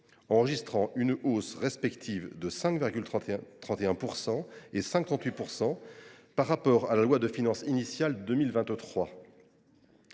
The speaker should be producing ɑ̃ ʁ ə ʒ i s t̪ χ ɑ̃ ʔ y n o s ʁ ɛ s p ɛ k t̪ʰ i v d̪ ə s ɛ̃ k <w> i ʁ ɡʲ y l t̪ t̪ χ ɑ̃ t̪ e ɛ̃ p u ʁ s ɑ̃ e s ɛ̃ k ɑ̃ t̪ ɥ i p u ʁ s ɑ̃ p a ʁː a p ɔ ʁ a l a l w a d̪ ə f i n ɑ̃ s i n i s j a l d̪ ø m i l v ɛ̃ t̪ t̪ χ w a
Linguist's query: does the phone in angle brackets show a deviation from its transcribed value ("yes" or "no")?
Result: yes